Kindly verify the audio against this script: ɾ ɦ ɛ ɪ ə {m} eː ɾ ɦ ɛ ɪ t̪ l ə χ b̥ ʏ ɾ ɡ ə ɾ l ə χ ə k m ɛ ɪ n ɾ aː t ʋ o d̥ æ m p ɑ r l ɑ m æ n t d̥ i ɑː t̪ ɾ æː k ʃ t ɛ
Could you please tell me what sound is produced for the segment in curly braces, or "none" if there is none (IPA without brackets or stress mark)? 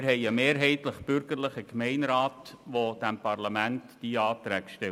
m